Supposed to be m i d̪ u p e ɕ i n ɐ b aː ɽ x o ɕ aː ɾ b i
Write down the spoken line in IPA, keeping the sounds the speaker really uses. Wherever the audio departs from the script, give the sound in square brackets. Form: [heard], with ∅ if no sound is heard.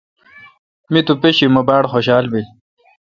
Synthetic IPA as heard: m i [t̪] u p e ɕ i [m] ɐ b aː ɽ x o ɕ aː [l] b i